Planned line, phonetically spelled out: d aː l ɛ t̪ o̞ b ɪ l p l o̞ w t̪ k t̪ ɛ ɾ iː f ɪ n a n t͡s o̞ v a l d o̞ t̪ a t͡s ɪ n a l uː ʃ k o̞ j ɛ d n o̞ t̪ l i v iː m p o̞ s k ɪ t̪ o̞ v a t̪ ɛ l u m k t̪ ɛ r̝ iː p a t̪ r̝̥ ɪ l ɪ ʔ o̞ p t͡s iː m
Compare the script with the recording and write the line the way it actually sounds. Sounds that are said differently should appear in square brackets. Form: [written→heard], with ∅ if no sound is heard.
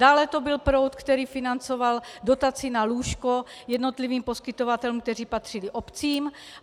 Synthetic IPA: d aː l ɛ t̪ o̞ b ɪ l p [l→ɾ] o̞ w t̪ k t̪ ɛ ɾ iː f ɪ n a n t͡s o̞ v a l d o̞ t̪ a t͡s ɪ n a l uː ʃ k o̞ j ɛ d n o̞ t̪ l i v iː m p o̞ s k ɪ t̪ o̞ v a t̪ ɛ l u m k t̪ ɛ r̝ iː p a t̪ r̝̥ ɪ l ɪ ʔ o̞ p t͡s iː m

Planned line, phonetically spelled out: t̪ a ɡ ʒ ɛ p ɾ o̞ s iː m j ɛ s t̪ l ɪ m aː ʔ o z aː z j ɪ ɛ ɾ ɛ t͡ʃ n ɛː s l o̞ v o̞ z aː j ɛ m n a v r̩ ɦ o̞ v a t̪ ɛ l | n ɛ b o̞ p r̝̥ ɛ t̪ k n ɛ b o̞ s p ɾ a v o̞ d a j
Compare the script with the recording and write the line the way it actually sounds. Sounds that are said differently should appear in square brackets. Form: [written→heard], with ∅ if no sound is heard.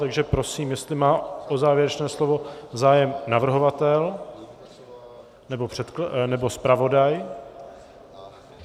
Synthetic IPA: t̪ a ɡ ʒ ɛ p ɾ o̞ s iː m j ɛ s t̪ l ɪ m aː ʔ o z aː [z→v] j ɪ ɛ ɾ ɛ t͡ʃ n ɛː s l o̞ v o̞ z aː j ɛ m n a v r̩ ɦ o̞ v a t̪ ɛ l | n ɛ b o̞ p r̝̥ ɛ t̪ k n ɛ b o̞ s p ɾ a v o̞ d a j

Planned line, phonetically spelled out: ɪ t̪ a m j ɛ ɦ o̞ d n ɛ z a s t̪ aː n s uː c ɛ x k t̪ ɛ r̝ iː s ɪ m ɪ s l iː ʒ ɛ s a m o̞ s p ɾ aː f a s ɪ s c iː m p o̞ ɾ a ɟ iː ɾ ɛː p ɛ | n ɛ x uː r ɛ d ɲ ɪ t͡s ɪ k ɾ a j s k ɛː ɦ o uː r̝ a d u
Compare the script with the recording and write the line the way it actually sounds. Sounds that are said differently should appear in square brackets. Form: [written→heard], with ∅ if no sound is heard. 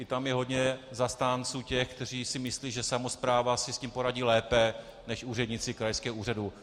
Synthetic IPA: ɪ t̪ a m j ɛ ɦ o̞ d [n→ɲ] ɛ z a s t̪ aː n [s→t͡s] uː c ɛ x k t̪ ɛ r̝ iː s ɪ m ɪ s l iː ʒ ɛ s a m o̞ s p ɾ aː [f→v] a s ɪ s c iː m p o̞ ɾ a ɟ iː [ɾ→l] ɛː p ɛ | n ɛ [x→ʃ] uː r ɛ d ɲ ɪ t͡s ɪ k ɾ a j s k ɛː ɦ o uː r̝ a d u

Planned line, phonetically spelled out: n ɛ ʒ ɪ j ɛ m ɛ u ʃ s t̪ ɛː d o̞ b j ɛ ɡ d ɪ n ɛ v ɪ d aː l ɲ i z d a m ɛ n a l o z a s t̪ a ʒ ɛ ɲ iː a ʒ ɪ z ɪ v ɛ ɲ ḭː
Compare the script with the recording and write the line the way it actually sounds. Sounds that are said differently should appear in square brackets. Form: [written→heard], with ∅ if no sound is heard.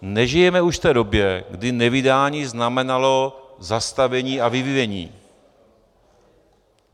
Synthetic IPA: n ɛ ʒ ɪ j ɛ m ɛ u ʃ [s→f] t̪ ɛː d o̞ b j ɛ ɡ d ɪ n ɛ v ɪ d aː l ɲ i z [d→n] a m ɛ n a l o z a s t̪ a [ʒ→v] ɛ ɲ iː a [ʒ→v] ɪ [z→v] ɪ v ɛ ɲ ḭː

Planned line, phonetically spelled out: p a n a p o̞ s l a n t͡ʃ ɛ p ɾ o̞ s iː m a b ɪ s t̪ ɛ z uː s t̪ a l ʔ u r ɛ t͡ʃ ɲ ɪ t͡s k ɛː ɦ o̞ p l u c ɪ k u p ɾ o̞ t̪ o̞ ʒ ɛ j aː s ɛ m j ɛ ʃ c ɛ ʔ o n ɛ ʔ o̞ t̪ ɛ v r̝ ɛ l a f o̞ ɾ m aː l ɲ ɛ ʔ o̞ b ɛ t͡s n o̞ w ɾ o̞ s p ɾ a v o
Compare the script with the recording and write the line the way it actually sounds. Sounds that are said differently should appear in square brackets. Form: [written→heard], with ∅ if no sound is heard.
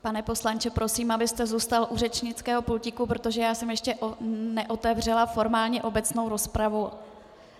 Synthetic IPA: p a n [a→ɛ] p o̞ s l a n t͡ʃ ɛ p ɾ o̞ s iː m a b ɪ s t̪ ɛ z uː s t̪ a l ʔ u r ɛ t͡ʃ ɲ ɪ t͡s k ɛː ɦ o̞ p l u c ɪ k u p ɾ o̞ t̪ o̞ ʒ ɛ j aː s ɛ m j ɛ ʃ c ɛ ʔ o n ɛ ʔ o̞ t̪ ɛ v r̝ ɛ l a f o̞ ɾ m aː l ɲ ɛ ʔ o̞ b ɛ t͡s n o̞ w ɾ o̞ s p ɾ a v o

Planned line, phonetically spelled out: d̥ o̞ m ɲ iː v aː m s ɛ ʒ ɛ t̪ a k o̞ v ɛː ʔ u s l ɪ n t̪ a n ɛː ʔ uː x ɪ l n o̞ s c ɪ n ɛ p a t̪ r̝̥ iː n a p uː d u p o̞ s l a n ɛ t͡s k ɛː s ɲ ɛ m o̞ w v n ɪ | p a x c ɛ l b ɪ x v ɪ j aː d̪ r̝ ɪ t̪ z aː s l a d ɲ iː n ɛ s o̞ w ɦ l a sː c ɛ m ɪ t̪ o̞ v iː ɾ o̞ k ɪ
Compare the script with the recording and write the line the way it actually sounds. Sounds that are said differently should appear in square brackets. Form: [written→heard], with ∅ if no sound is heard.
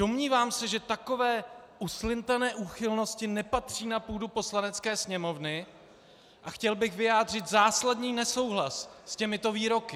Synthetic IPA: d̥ o̞ m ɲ iː v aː m s ɛ ʒ ɛ t̪ a k o̞ v ɛː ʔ u s l ɪ n t̪ a n ɛː ʔ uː x ɪ l n o̞ s c ɪ n ɛ p a t̪ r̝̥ iː n a p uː d u p o̞ s l a n ɛ t͡s k ɛː s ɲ ɛ m o̞ [w→∅] v n ɪ | [p→ʔ] a x c ɛ l b ɪ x v ɪ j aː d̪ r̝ ɪ t̪ z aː s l a d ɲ iː n ɛ s o̞ w ɦ l a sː c ɛ m ɪ t̪ o̞ v iː ɾ o̞ k ɪ

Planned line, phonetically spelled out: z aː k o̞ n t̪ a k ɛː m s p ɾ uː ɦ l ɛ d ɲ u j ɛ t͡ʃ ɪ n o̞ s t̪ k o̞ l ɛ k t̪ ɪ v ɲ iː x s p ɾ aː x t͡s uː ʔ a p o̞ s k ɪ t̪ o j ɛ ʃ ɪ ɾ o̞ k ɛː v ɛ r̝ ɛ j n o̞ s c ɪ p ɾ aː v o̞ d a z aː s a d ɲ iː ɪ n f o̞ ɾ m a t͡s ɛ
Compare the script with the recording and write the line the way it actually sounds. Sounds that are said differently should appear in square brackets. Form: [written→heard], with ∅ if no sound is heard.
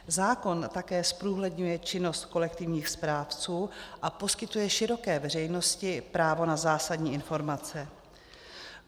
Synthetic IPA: z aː k o̞ n t̪ a k ɛː [m→∅] s p ɾ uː ɦ l ɛ d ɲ u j ɛ t͡ʃ ɪ n o̞ s t̪ k o̞ l ɛ k t̪ ɪ v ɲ iː x s p ɾ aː [x→f] t͡s uː ʔ a p o̞ s k ɪ t̪ [o→u] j ɛ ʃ ɪ ɾ o̞ k ɛː v ɛ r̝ ɛ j n o̞ s c ɪ p ɾ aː v o̞ [d→n] a z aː s a d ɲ iː ɪ n f o̞ ɾ m a t͡s ɛ

